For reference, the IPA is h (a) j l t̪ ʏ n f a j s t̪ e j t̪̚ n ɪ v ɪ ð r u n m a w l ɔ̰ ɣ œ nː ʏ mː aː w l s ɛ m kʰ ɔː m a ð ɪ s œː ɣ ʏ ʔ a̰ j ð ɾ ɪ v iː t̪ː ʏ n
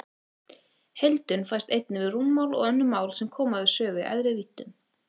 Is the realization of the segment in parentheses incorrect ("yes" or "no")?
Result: yes